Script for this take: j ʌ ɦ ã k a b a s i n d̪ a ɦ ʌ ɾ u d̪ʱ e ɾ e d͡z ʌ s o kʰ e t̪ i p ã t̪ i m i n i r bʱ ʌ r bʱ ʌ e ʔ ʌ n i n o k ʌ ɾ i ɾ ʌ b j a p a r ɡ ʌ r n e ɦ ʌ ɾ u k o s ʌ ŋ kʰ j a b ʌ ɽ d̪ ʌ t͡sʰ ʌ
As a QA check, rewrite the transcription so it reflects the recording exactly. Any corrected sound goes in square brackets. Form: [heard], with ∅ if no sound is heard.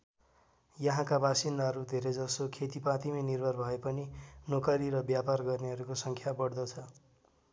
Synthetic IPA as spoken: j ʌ ɦ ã k a b a s i n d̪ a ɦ ʌ ɾ u d̪ʱ e ɾ e d͡z ʌ s o kʰ e t̪ i p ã t̪ i m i n i r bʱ ʌ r bʱ ʌ e [p] ʌ n i n o k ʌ ɾ i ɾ ʌ b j a p a r ɡ ʌ r n e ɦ ʌ ɾ u k o s ʌ ŋ kʰ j a b ʌ ɽ d̪ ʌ t͡sʰ ʌ